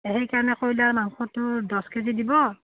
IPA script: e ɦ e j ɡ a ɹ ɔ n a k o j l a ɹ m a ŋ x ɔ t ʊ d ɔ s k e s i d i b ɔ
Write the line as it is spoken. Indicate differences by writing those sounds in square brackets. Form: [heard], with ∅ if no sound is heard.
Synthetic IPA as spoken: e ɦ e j [k] a ɹ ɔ n [ɛ] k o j l a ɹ m a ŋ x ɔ t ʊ d ɔ s k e [z] i d i b ɔ

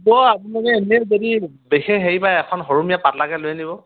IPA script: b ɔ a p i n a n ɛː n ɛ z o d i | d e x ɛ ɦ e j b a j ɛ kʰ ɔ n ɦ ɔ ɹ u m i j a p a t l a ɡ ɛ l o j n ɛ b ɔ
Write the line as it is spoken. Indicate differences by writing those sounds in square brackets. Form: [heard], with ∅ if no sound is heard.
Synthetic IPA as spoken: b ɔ a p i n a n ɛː n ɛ z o d i | [b] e x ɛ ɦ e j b a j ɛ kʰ ɔ n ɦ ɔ ɹ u m i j a p a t l a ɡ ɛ l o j n [i] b ɔ

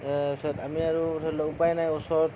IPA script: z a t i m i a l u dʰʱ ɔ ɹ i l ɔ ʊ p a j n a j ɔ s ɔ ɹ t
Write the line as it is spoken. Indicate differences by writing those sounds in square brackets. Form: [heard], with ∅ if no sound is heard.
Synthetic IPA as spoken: [s] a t [a] m i a [ɹ] u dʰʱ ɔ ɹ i l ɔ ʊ p a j n a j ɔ s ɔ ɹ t

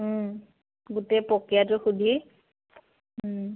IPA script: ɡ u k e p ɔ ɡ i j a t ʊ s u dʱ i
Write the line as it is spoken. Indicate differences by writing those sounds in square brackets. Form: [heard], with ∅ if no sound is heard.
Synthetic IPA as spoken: ɡ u [t] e p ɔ [k] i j a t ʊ [x] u dʱ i

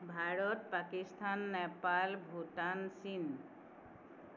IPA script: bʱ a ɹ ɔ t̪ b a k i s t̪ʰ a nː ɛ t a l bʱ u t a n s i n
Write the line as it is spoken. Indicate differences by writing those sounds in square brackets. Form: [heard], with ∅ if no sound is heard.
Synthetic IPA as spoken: bʱ a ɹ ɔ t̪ [p] a k i s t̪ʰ a nː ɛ [p] a l bʱ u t a n s i n

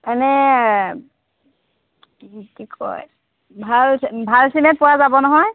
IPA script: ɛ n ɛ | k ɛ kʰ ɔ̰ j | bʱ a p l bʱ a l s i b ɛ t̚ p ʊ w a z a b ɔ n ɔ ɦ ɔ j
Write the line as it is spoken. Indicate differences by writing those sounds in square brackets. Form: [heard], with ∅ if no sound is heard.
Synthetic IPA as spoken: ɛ n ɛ | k [i] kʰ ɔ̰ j | bʱ a [∅] l bʱ a l s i [m] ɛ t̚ p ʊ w a z a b ɔ n ɔ ɦ ɔ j

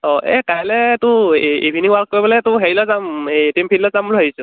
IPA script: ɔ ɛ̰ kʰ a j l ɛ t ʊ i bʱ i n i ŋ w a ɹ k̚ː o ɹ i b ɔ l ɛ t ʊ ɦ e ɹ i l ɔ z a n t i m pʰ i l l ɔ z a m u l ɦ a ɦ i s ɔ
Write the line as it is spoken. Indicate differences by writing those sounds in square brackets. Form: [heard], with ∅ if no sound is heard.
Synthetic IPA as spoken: ɔ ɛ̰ [k] a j l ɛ t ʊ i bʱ i n i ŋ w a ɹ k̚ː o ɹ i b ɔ l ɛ t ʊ ɦ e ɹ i l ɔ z a [m] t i m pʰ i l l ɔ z a m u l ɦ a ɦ i s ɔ

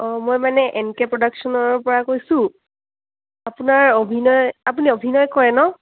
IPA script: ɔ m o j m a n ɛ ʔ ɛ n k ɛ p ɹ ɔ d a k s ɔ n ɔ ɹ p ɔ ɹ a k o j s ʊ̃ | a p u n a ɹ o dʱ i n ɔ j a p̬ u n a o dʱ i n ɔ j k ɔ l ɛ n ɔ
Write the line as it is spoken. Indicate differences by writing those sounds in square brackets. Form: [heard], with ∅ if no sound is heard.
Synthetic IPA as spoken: ɔ m o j m a n ɛ ʔ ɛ n k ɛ p ɹ ɔ d a k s ɔ n ɔ ɹ p ɔ ɹ a k o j s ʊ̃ | a p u n a ɹ o [bʱ] i n ɔ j a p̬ u n [i] o [bʱ] i n ɔ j k ɔ [ɹ] ɛ n ɔ

